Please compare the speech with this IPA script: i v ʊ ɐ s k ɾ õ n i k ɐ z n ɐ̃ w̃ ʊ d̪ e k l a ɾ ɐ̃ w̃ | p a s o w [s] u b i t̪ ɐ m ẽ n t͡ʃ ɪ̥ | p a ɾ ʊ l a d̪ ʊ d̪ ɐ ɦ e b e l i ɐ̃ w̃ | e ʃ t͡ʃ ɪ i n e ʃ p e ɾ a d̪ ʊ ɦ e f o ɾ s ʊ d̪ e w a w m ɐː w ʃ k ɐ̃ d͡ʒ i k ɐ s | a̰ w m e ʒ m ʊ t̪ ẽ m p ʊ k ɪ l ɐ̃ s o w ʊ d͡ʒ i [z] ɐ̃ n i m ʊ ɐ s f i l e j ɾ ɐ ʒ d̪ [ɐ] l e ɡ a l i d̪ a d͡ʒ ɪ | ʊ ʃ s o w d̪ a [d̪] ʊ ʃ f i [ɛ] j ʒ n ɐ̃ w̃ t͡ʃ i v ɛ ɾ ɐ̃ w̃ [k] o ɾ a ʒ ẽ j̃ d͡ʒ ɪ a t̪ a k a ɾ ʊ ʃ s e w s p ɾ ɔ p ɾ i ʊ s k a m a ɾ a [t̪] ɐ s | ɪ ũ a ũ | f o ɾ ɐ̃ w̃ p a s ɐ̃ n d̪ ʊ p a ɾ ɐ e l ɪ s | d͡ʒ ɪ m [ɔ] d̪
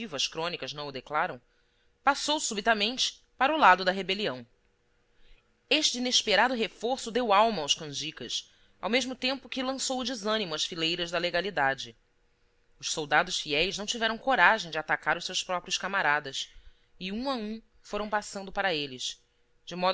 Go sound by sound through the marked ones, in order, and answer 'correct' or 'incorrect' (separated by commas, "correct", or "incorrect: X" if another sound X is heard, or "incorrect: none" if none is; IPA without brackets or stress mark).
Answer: correct, correct, correct, correct, correct, correct, incorrect: d̪, correct